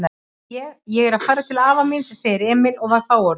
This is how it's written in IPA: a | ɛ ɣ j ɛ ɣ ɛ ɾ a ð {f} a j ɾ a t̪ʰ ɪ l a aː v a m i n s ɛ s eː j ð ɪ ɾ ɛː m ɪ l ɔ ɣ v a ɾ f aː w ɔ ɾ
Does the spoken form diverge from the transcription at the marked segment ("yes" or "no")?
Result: no